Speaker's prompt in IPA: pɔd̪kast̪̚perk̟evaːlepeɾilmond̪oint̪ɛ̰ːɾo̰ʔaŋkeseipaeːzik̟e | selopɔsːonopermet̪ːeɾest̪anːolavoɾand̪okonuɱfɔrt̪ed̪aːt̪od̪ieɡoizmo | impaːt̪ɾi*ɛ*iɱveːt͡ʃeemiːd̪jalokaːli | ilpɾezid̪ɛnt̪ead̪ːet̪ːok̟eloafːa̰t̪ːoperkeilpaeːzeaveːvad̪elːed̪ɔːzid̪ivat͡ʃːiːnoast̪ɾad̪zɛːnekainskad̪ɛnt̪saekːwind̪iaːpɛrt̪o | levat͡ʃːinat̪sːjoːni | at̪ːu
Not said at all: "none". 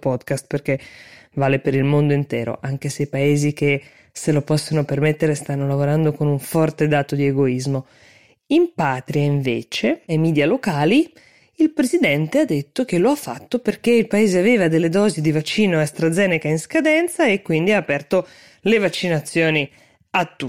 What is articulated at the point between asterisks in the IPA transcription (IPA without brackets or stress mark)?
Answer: a